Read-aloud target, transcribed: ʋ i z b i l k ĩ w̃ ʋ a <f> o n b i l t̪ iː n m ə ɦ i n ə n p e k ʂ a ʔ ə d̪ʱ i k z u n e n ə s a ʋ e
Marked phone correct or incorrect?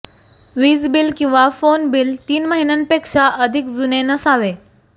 correct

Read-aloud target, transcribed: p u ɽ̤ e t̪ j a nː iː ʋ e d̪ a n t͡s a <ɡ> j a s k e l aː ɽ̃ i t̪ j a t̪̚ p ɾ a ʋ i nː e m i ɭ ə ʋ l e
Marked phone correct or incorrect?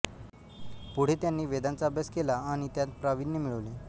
incorrect: b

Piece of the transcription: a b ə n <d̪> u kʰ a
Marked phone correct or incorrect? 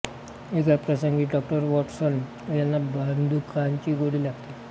correct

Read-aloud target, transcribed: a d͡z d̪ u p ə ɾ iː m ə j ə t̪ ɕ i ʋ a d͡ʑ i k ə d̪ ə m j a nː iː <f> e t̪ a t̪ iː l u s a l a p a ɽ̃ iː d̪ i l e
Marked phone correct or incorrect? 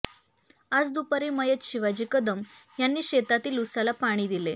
incorrect: ɕ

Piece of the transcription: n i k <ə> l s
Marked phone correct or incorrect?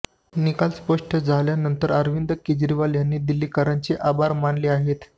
incorrect: a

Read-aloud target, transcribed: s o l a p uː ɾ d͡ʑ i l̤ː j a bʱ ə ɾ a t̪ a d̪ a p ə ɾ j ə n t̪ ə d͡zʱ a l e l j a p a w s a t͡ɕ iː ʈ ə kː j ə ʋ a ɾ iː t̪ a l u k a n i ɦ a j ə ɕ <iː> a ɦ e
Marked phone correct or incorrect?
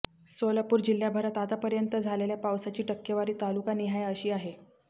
correct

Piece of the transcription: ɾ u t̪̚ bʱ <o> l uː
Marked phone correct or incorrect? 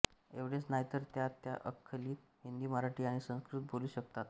correct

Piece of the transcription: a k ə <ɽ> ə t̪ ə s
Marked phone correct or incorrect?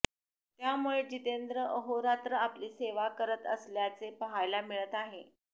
incorrect: ɾ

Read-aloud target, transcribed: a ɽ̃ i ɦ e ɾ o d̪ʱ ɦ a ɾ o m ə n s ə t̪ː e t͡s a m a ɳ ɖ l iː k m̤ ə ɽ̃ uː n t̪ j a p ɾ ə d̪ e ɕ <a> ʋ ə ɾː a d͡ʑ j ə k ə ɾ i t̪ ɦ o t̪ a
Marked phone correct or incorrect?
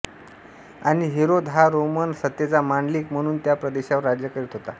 correct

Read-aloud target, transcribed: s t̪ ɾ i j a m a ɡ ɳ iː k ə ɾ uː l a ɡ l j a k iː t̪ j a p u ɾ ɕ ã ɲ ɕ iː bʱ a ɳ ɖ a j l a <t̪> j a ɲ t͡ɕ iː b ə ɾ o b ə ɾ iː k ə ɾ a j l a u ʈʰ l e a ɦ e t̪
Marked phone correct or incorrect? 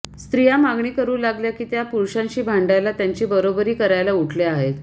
correct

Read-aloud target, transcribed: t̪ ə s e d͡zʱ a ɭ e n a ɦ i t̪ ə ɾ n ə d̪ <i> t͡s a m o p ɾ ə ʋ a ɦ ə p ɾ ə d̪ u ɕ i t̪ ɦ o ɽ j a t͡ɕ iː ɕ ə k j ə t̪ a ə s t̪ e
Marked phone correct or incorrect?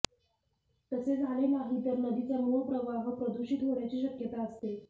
correct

